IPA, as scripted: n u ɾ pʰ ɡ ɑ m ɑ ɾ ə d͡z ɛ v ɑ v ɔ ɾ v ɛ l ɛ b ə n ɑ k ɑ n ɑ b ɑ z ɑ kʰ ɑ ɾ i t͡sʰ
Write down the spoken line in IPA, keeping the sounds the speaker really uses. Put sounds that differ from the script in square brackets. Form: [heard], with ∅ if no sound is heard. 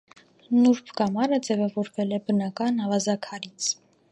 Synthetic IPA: n u ɾ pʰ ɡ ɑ m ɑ ɾ ə d͡z ɛ v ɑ v ɔ ɾ v ɛ l ɛ b ə n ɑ k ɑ n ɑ [v] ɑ z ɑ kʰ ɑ ɾ i t͡sʰ

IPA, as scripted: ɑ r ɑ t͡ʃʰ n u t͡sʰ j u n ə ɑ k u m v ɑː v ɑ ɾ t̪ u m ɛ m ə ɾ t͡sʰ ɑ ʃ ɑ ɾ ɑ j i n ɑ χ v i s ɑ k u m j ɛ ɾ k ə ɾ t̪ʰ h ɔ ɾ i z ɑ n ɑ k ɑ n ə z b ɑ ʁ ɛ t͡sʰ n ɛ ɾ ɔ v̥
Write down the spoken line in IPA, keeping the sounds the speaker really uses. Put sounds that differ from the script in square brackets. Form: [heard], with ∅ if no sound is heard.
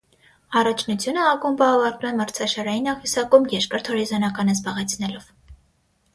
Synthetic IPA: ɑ r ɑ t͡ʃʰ n u t͡sʰ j u n ə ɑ k u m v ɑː v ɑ ɾ t̪ u m ɛ m ə ɾ t͡sʰ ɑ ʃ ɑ ɾ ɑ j i n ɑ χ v i s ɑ k u m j ɛ ɾ k ə ɾ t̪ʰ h ɔ ɾ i z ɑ n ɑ k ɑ n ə z b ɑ ʁ ɛ t͡sʰ n ɛ [l] ɔ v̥

